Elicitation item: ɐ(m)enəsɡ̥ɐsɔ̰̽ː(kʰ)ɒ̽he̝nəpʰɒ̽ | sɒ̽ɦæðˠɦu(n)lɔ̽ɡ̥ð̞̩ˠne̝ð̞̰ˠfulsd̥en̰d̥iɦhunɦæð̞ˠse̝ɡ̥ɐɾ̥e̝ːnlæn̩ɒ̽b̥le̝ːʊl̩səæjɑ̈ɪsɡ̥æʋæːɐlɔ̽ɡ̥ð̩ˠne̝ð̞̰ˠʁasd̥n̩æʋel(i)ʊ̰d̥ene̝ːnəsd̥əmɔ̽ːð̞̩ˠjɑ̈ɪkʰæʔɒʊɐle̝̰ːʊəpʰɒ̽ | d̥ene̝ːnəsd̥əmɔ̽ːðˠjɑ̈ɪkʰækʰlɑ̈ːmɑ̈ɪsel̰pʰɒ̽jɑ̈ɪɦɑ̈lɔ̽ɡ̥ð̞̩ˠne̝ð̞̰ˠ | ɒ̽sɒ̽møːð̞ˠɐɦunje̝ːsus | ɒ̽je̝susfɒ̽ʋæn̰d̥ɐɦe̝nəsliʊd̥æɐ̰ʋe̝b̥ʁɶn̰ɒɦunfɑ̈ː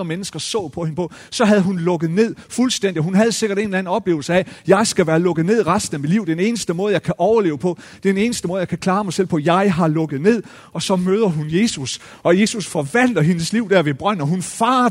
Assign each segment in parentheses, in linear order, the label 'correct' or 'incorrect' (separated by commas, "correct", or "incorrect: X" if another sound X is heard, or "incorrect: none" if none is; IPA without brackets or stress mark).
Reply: correct, incorrect: pʰ, correct, correct